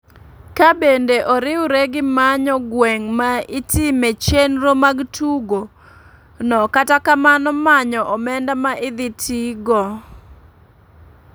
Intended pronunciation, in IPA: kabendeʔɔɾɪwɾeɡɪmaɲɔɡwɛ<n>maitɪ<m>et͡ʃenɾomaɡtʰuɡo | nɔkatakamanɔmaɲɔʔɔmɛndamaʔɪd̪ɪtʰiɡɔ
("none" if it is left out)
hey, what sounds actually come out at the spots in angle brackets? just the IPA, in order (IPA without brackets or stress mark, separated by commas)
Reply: ŋ, m